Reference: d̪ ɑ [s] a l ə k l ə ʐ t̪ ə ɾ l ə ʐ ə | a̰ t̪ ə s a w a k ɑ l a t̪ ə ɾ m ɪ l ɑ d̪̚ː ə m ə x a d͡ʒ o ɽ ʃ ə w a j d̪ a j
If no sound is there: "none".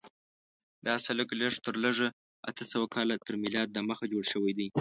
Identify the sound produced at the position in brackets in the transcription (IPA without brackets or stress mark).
s